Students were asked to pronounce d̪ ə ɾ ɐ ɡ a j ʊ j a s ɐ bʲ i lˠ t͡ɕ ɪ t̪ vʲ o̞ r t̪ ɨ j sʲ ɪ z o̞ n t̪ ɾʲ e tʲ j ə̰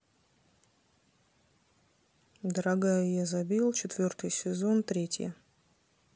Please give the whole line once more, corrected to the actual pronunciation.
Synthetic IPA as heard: d̪ ə ɾ ɐ ɡ a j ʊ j a z ɐ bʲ i lˠ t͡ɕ ɪ t̪ vʲ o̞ r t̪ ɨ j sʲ ɪ z o̞ n t̪ ɾʲ e tʲ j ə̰